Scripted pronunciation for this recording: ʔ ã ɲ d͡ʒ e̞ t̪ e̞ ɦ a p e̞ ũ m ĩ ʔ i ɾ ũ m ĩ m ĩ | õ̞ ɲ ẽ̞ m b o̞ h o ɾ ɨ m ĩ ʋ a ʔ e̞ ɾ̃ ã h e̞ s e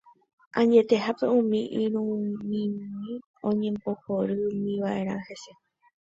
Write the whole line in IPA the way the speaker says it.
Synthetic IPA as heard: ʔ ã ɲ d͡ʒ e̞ t̪ e̞ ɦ a p e̞ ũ m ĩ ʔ i ɾ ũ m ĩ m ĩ | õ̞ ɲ ẽ̞ m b o̞ h o ɾ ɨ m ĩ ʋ a ʔ e̞ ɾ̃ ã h e̞ s e